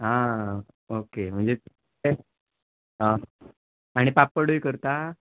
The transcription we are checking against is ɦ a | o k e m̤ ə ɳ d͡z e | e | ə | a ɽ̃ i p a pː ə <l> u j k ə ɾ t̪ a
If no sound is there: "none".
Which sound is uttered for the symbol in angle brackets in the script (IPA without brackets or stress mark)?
ɽ